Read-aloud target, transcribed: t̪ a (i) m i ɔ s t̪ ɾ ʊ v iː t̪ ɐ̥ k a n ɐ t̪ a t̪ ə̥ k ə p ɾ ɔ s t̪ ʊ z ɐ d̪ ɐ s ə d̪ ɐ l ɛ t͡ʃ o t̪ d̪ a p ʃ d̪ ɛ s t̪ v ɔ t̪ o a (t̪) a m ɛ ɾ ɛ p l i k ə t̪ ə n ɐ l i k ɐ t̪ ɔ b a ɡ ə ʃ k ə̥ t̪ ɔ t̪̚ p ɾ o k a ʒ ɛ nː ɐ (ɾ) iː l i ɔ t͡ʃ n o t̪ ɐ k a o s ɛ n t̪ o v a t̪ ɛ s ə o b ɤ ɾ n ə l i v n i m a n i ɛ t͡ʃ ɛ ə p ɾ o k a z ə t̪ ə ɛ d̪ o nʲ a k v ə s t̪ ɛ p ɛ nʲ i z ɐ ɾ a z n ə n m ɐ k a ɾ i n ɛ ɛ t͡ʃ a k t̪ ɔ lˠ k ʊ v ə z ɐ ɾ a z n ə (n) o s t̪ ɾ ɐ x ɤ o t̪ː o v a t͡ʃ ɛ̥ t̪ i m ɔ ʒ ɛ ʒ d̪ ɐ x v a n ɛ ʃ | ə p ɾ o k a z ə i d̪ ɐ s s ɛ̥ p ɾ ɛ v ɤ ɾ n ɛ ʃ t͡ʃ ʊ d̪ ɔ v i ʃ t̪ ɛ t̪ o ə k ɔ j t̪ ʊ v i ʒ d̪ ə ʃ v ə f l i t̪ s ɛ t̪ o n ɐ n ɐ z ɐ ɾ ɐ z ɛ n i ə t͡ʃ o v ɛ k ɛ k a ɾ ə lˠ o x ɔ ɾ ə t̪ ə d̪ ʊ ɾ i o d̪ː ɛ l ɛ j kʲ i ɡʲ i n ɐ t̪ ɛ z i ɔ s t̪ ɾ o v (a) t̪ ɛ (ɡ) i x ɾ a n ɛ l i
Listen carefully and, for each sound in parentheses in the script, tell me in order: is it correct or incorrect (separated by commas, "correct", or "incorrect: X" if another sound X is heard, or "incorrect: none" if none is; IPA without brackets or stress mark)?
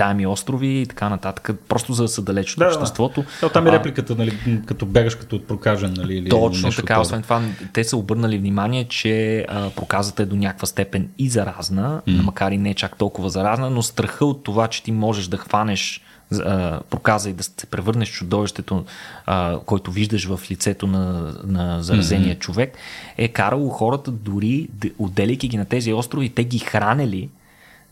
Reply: incorrect: ɛ, correct, incorrect: l, correct, incorrect: i, correct